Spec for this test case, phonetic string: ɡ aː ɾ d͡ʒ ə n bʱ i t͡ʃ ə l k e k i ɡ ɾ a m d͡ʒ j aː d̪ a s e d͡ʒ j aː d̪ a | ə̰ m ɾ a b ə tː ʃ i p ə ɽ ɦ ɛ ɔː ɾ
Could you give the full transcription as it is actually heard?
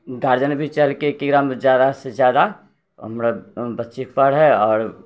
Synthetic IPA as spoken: ɡ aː ɾ d͡ʒ ə n bʱ i t͡ʃ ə l k e k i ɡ ɾ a m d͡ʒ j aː d̪ a s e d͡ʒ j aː d̪ a | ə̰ m ɾ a b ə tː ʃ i p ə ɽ ɦ ɛ ɔː ɾ